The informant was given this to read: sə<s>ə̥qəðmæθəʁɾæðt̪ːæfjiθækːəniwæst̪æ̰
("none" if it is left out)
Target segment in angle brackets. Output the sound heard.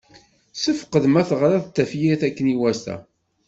f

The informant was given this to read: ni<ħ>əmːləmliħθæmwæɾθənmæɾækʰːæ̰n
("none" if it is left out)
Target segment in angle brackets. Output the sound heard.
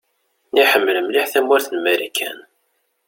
ħ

